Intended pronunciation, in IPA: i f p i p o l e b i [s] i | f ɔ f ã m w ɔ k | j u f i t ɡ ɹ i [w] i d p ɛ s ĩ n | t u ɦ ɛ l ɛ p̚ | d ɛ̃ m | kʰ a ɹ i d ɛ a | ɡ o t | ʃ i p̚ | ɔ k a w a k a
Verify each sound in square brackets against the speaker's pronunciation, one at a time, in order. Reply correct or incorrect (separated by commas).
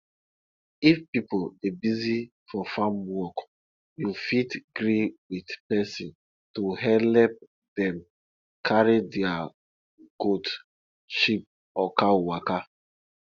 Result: incorrect, correct